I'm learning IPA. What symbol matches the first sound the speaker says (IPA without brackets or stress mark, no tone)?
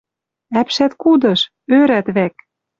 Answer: æ